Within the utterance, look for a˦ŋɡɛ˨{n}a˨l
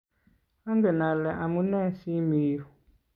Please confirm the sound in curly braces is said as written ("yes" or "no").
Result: yes